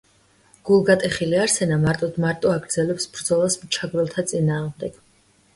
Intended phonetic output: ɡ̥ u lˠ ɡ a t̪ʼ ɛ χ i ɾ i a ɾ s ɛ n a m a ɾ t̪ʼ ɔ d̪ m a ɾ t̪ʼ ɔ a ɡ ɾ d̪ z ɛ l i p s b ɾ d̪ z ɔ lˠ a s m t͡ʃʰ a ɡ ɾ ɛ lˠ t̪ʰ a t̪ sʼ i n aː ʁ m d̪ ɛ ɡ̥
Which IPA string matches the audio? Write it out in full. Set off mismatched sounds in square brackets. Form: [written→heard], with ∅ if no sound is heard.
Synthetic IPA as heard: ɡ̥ u lˠ ɡ a t̪ʼ ɛ χ i [ɾ→l] i a ɾ s ɛ n a m a ɾ t̪ʼ ɔ d̪ m a ɾ t̪ʼ ɔ a ɡ ɾ d̪ z ɛ l [i→ɛ] p s b ɾ d̪ z ɔ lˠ a s m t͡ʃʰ a ɡ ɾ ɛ lˠ t̪ʰ a t̪ sʼ i n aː ʁ m d̪ ɛ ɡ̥